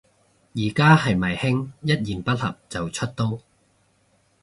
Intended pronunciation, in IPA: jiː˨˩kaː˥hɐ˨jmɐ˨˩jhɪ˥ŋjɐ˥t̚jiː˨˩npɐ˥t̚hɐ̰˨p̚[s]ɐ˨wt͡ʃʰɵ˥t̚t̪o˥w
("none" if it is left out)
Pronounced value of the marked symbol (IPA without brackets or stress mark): t͡s